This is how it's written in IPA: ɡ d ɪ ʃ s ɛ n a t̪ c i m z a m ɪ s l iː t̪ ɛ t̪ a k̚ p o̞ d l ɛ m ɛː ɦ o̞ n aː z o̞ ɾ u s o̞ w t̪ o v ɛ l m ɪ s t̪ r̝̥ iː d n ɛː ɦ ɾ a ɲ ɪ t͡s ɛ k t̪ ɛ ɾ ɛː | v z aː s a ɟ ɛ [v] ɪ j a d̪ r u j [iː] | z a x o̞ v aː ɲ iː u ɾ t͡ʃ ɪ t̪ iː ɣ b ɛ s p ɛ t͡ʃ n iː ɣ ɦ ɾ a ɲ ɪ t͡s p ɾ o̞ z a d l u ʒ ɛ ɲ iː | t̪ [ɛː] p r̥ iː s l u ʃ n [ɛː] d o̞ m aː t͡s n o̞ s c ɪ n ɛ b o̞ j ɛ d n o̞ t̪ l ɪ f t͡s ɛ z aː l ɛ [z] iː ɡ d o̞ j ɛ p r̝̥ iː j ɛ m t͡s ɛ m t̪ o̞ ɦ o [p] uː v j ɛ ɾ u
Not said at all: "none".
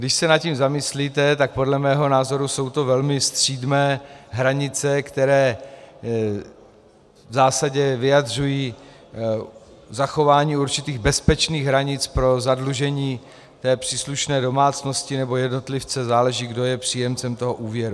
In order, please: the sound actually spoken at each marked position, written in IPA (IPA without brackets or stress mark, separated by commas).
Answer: v, iː, ɛː, ɛː, ʒ, ʔ